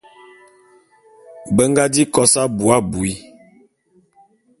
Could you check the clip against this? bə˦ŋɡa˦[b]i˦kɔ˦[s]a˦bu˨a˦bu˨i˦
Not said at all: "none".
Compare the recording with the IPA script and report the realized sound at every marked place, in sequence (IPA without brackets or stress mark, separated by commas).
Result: d, s